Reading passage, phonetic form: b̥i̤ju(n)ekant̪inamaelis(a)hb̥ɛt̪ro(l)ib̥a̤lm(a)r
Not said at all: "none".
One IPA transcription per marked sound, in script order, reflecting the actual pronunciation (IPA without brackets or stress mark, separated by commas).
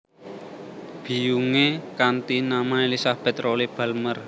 ŋ, a, l, ə